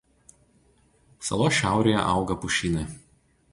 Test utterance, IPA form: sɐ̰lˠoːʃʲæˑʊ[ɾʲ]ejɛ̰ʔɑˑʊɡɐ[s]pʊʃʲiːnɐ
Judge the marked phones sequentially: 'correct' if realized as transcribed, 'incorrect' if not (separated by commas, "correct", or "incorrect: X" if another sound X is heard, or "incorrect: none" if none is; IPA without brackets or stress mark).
correct, incorrect: none